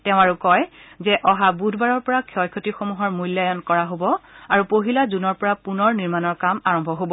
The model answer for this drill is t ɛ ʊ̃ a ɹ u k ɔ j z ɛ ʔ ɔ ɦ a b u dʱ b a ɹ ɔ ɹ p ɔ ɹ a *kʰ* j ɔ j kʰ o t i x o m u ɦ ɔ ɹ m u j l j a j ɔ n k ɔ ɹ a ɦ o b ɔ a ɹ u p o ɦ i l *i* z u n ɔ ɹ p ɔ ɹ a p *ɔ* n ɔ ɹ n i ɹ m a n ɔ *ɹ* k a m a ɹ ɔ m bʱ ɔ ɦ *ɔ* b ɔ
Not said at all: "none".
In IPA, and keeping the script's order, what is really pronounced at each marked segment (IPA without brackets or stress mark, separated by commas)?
kʰ, a, u, ɹ, o